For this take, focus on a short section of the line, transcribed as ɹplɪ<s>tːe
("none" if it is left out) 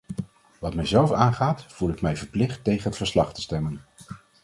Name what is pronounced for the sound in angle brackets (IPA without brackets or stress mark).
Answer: χ